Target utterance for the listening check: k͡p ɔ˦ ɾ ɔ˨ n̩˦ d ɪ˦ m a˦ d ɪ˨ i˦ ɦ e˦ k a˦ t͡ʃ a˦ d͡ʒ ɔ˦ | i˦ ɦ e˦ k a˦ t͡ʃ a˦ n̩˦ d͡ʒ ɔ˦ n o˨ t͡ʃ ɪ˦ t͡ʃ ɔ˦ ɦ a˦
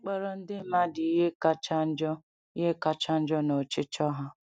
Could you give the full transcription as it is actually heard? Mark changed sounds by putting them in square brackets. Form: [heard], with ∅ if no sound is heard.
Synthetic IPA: k͡p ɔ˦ ɾ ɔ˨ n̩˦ d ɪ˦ m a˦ d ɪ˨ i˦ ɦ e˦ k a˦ t͡ʃ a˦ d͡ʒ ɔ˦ | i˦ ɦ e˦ k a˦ t͡ʃ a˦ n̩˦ d͡ʒ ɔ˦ n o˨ t͡ʃ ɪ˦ t͡ʃ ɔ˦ ɦ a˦